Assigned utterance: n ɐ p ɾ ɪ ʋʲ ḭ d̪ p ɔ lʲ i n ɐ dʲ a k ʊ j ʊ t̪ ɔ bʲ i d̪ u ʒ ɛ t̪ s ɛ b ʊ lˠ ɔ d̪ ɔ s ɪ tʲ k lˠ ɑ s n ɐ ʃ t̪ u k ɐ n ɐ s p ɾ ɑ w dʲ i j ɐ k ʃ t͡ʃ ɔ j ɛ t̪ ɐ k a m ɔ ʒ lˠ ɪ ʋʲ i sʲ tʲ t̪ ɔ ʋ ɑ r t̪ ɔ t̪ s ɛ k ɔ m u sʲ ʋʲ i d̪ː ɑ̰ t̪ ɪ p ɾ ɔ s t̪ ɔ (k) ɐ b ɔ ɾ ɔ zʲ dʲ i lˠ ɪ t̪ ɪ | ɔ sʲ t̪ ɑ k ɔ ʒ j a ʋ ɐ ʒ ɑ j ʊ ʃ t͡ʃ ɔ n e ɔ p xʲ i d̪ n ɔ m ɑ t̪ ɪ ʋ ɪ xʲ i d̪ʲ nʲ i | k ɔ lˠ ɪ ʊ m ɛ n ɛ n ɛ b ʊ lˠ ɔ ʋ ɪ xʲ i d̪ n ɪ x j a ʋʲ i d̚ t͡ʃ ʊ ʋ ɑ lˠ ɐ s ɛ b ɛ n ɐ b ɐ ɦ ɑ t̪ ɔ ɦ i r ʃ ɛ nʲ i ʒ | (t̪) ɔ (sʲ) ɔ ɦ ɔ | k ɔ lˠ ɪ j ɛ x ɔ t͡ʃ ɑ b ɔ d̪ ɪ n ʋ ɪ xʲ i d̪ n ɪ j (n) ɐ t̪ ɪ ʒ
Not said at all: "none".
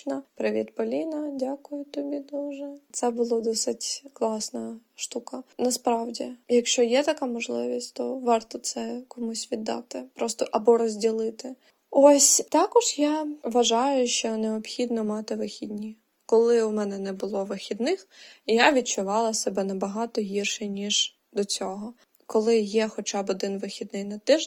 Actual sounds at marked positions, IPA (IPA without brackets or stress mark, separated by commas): ʔ, d̪, t͡sʲ, n